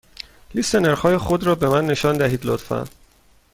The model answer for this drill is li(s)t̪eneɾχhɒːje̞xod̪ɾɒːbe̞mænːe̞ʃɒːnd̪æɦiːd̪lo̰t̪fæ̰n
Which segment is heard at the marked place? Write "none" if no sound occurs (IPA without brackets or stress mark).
s